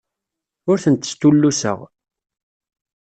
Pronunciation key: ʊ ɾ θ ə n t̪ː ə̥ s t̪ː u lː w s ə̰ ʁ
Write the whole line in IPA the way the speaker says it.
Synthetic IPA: ʊ ɾ θ ə n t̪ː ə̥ s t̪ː u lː u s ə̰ ʁ